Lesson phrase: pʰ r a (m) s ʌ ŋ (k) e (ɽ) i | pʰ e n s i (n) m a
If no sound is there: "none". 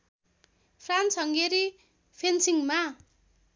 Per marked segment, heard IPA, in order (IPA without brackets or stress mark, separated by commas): n, ɡ, ɾ, ŋ